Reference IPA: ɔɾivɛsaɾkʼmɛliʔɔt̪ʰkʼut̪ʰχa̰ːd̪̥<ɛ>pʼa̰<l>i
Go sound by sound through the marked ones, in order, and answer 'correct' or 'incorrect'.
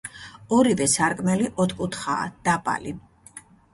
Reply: incorrect, correct

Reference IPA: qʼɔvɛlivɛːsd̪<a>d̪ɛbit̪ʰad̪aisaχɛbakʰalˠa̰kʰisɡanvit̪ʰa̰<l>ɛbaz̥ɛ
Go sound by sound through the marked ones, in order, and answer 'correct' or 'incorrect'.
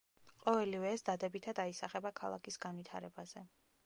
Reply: correct, incorrect

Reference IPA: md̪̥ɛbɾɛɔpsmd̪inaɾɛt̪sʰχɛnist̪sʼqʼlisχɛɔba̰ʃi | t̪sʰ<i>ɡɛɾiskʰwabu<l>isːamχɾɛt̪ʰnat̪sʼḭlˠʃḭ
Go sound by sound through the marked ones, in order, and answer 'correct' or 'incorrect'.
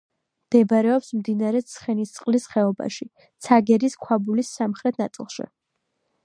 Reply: incorrect, correct

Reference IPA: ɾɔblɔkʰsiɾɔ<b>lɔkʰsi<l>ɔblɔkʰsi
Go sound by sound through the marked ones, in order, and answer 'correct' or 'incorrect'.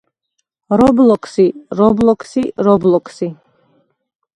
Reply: correct, incorrect

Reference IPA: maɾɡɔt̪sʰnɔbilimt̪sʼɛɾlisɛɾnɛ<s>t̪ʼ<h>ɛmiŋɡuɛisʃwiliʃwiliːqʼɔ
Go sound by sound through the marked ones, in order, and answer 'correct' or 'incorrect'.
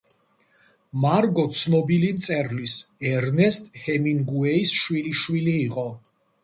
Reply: correct, correct

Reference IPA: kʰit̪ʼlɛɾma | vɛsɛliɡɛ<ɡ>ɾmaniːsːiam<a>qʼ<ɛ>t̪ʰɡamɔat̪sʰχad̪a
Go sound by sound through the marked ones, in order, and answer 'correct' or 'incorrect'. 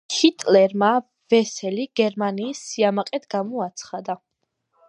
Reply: incorrect, correct, correct

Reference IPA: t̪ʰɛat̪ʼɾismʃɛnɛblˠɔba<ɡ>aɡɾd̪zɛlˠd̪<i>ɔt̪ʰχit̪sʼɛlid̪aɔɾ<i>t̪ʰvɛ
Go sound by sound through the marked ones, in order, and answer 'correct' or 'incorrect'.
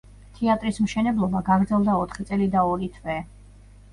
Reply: correct, incorrect, correct

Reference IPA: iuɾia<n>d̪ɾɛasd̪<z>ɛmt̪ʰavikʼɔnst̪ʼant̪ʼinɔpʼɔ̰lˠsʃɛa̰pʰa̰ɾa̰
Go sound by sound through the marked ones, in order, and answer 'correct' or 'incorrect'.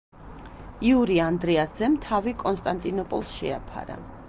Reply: correct, correct

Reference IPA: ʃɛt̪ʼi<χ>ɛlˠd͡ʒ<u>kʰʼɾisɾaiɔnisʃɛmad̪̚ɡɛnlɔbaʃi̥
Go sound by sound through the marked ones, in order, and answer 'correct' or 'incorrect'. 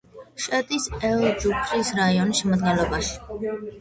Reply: incorrect, correct

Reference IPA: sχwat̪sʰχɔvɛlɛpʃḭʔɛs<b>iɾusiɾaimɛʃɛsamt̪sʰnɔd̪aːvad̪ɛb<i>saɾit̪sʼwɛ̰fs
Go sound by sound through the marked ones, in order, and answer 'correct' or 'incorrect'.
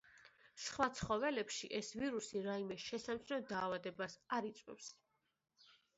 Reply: incorrect, incorrect

